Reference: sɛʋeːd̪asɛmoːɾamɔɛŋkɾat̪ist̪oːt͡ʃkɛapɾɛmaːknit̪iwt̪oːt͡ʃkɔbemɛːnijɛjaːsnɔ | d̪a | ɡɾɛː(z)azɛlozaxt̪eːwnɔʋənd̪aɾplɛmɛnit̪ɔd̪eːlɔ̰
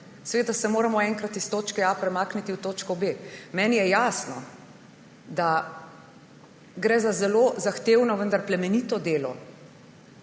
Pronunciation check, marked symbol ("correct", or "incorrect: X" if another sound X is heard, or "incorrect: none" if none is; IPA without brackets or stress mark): correct